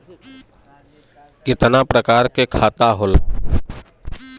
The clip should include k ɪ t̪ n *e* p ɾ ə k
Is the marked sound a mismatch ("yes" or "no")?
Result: yes